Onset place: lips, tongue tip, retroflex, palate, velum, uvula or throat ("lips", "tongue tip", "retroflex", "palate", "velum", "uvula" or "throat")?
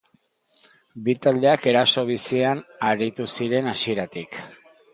lips